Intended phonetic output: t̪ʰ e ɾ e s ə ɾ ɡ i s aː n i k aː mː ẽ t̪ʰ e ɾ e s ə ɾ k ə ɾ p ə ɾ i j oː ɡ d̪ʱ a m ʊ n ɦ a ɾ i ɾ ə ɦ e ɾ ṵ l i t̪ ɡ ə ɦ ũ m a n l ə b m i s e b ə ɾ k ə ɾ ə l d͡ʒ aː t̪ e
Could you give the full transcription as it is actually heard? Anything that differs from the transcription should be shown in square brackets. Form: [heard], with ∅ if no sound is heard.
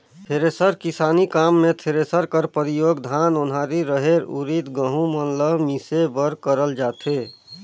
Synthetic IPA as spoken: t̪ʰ e ɾ e s ə ɾ [k] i s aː n i k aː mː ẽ t̪ʰ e ɾ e s ə ɾ k ə ɾ p ə ɾ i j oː ɡ d̪ʱ a [n] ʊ n ɦ a ɾ i ɾ ə ɦ e ɾ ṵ [ɾ] i t̪ ɡ ə ɦ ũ m [ə] n l ə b m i s e b ə ɾ k ə ɾ ə l d͡ʒ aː t̪ e